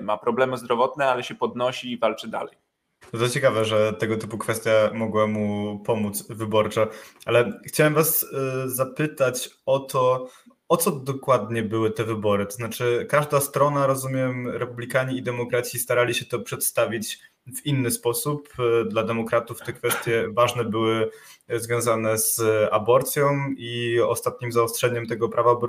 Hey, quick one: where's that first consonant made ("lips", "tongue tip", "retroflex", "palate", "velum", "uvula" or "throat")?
lips